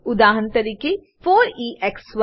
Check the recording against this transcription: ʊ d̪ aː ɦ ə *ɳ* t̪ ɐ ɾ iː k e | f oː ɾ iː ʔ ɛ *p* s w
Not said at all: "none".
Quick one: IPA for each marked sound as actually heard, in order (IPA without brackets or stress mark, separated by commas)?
n, k